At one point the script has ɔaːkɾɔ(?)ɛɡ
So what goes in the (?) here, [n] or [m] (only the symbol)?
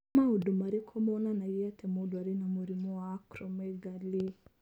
m